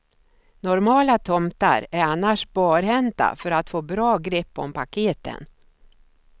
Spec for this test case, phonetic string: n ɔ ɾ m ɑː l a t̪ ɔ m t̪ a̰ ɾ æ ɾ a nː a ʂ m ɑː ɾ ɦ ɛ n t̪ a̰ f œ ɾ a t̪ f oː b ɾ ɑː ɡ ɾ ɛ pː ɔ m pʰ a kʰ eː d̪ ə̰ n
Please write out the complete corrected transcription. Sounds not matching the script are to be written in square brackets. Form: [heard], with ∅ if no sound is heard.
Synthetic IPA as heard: n ɔ ɾ m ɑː l a [t̪ʰ] ɔ m t̪ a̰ ɾ æ ɾ a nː a ʂ [b] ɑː ɾ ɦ ɛ n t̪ a̰ f œ ɾ a t̪ f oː b ɾ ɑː ɡ ɾ ɛ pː ɔ m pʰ a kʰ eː [t̪] ə̰ n